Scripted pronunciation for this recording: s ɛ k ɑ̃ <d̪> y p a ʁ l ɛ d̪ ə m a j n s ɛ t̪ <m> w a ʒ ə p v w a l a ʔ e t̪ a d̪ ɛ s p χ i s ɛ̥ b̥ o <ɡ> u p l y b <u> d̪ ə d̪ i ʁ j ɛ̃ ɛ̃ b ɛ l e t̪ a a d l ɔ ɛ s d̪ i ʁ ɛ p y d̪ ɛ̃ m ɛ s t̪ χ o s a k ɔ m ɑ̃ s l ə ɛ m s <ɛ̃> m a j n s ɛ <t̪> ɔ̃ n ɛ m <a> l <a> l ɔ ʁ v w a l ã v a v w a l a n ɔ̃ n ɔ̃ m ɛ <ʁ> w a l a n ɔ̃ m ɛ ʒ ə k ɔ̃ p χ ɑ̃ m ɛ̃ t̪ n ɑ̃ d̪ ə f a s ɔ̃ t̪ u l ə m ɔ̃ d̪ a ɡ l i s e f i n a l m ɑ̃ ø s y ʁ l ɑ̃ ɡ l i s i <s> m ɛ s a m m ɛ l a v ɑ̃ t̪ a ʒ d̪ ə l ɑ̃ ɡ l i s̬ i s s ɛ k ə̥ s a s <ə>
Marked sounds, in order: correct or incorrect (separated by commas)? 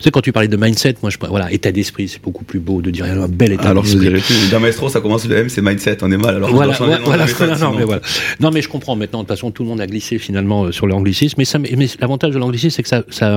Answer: incorrect, correct, incorrect, incorrect, incorrect, correct, correct, correct, incorrect, correct, incorrect